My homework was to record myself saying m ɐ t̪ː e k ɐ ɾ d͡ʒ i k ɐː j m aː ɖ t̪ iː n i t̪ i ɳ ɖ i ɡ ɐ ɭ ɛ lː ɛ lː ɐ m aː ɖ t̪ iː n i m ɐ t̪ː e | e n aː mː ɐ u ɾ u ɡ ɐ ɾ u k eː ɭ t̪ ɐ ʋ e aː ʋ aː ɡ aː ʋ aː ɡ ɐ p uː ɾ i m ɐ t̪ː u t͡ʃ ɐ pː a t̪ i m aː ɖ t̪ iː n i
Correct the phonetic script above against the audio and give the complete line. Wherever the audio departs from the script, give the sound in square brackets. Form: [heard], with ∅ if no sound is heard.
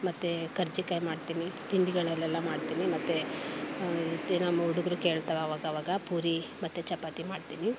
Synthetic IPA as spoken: m ɐ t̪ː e k ɐ ɾ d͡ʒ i k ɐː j m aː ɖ t̪ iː n i t̪ i ɳ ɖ i ɡ ɐ ɭ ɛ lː ɛ lː ɐ m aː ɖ t̪ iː n i m ɐ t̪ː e | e n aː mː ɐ u [ɽ] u ɡ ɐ ɾ u k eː ɭ t̪ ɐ ʋ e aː ʋ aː ɡ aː ʋ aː ɡ ɐ p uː ɾ i m ɐ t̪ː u t͡ʃ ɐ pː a t̪ i m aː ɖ t̪ iː n i